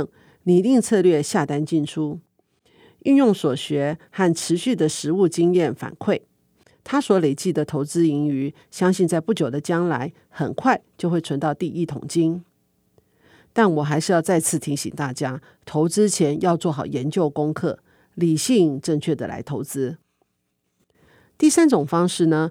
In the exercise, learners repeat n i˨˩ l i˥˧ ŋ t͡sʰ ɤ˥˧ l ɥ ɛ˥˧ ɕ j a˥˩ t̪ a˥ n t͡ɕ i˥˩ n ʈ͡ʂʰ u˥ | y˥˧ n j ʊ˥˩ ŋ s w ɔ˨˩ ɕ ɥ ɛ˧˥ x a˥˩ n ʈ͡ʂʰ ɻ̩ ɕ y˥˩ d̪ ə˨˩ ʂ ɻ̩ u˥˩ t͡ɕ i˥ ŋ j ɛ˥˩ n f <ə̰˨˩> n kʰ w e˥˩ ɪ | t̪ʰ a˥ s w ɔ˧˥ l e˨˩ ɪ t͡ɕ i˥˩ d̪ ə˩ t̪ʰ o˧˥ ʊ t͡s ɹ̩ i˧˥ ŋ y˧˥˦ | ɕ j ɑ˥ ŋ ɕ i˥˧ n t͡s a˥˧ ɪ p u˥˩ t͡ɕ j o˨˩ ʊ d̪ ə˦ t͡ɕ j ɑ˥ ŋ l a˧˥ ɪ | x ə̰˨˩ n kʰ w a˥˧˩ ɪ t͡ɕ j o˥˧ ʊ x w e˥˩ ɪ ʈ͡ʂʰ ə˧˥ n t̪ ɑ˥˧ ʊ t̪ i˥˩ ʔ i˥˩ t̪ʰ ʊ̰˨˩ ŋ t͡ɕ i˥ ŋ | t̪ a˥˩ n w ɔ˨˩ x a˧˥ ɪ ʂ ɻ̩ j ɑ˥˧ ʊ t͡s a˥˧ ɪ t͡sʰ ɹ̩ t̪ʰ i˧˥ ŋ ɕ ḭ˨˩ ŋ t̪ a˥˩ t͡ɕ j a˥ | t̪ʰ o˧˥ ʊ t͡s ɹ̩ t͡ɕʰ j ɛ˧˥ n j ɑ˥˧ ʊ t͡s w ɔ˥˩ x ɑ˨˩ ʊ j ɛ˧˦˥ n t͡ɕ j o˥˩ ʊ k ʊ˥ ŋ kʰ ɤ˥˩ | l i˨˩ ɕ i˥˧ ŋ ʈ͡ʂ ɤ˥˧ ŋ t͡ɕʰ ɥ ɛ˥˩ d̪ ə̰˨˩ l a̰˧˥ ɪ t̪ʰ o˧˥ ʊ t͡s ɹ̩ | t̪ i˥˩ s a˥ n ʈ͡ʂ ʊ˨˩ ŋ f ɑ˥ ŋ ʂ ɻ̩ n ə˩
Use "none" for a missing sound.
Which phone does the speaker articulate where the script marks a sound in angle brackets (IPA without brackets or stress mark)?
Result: a̰˨˩